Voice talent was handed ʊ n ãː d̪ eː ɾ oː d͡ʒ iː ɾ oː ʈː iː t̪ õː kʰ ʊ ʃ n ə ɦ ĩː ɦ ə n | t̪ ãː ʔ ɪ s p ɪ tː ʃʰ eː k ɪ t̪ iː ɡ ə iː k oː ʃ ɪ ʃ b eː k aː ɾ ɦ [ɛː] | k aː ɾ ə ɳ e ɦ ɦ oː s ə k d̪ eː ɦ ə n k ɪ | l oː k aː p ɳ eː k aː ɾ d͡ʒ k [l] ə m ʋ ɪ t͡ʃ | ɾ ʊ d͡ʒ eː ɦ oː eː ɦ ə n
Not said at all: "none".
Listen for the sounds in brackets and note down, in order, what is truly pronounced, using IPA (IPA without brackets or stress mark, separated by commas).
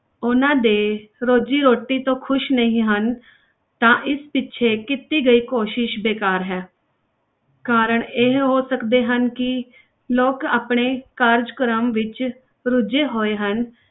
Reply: ɛː, ɾ